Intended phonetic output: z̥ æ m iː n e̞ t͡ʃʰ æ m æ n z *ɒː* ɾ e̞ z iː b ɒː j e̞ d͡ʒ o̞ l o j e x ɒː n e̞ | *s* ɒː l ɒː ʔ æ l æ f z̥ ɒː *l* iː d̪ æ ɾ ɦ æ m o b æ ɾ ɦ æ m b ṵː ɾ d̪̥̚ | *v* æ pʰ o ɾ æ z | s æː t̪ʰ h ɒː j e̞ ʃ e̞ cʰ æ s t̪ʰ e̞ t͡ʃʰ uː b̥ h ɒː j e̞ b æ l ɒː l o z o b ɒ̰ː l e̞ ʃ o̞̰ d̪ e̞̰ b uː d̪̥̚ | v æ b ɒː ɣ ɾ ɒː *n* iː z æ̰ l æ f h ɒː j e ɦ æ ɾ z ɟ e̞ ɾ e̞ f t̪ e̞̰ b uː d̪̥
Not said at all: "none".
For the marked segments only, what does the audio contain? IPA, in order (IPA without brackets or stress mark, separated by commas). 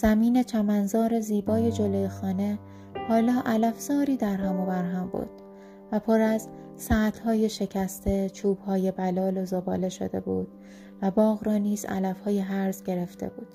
ɒː, h, ɾ, v, n